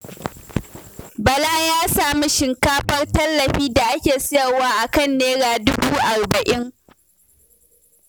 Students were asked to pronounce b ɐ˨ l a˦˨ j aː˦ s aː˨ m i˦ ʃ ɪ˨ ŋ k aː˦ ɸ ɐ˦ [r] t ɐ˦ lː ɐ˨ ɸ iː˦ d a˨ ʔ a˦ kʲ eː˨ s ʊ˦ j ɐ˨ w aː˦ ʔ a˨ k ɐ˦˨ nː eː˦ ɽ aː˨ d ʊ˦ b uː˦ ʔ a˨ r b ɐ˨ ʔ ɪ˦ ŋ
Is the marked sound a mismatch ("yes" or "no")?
no